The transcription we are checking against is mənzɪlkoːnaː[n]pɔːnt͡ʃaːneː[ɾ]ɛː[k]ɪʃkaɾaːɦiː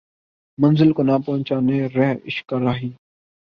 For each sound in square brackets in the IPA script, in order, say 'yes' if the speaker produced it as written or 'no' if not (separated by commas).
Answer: no, yes, no